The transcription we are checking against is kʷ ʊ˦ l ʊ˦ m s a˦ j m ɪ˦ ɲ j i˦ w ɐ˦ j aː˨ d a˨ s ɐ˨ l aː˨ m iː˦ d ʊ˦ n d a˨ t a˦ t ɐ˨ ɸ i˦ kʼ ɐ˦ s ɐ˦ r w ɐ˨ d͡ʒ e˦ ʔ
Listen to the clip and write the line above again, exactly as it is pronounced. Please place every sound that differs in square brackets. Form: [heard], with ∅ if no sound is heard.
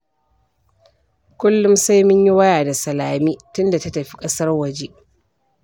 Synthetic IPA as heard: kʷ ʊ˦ [lː] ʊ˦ m s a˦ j m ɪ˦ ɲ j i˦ w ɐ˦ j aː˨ d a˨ s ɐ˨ l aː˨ m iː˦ [t] ʊ˦ n d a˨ t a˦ t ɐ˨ ɸ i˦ kʼ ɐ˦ s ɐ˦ r w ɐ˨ d͡ʒ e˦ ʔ